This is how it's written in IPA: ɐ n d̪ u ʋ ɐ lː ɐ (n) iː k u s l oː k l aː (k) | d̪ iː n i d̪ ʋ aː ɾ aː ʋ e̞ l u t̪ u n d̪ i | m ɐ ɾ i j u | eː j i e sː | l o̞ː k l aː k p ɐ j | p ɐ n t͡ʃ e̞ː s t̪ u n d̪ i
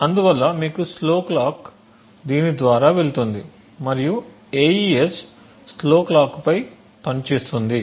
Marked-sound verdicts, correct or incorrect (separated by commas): incorrect, correct